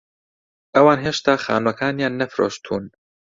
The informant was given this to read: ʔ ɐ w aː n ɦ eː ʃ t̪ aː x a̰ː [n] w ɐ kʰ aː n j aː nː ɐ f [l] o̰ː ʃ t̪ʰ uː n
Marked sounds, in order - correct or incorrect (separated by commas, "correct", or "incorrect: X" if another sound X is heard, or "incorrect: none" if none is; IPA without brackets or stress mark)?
correct, incorrect: ɾ